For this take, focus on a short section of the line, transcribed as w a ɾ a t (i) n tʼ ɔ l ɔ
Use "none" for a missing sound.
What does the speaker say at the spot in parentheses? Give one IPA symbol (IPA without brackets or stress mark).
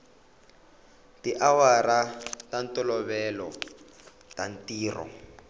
a